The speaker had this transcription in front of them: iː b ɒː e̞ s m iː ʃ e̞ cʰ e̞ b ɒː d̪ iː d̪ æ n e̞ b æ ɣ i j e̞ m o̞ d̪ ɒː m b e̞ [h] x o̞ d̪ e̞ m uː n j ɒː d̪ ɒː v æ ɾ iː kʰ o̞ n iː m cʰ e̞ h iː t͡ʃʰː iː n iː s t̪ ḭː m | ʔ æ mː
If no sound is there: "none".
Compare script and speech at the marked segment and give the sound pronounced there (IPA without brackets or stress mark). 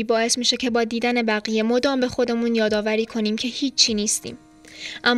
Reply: none